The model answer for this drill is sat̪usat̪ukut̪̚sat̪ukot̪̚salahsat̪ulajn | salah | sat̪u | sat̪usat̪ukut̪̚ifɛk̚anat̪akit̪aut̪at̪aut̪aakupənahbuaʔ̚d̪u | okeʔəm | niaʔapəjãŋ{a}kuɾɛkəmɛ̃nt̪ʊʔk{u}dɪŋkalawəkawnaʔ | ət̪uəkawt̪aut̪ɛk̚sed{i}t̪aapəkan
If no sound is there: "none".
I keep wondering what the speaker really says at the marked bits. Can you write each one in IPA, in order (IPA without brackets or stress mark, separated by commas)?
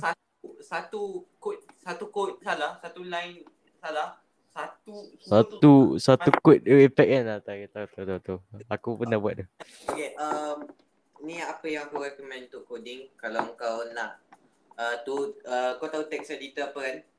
a, o, i